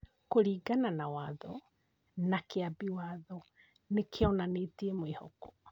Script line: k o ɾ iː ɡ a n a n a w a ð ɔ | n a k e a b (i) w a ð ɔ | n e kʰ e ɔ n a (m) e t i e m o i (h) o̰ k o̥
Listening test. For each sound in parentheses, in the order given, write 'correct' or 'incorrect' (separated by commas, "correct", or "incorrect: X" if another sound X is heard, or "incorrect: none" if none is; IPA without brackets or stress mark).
correct, incorrect: n, correct